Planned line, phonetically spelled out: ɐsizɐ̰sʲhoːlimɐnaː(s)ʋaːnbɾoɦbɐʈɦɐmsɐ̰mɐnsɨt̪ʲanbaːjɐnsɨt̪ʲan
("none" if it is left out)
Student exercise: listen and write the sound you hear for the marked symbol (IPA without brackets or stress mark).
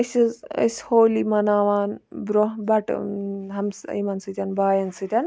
none